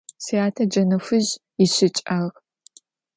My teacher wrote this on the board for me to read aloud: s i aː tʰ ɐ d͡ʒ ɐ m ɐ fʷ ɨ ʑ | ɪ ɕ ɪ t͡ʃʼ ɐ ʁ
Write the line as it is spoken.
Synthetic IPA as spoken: s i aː tʰ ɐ d͡ʒ ɐ n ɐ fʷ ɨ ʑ | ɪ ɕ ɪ t͡ʃʼ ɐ ʁ